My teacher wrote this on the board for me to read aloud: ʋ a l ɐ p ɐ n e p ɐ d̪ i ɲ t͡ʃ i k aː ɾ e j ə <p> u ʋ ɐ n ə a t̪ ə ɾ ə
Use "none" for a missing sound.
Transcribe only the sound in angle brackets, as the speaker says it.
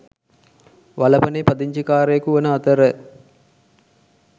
k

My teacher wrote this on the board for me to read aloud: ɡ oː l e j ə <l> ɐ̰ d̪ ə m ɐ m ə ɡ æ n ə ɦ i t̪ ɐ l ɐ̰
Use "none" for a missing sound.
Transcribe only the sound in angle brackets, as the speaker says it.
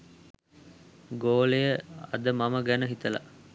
none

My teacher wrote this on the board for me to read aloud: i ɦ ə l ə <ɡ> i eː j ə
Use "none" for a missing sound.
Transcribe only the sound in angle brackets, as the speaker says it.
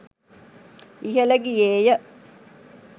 ɡ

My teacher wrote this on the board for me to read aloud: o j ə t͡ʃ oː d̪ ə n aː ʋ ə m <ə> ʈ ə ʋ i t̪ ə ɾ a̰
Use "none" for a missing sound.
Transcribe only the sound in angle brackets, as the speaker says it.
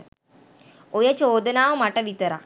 a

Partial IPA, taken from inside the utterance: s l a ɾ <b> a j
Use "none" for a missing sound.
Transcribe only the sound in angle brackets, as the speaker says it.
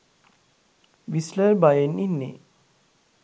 b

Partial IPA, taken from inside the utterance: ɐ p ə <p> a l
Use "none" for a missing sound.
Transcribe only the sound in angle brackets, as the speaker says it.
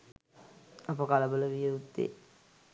k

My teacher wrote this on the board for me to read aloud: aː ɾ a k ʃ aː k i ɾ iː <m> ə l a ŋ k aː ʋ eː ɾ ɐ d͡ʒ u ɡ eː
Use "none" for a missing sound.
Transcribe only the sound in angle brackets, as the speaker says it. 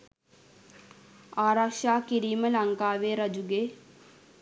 m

